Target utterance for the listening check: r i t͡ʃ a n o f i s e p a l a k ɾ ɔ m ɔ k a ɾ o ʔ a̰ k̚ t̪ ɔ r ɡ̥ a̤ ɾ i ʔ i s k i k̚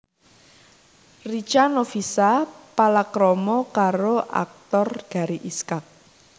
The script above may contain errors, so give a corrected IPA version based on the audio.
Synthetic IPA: r i t͡ʃ a n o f i s a p a l a k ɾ ɔ m ɔ k a ɾ o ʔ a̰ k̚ t̪ ɔ r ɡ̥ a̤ ɾ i ʔ i s k a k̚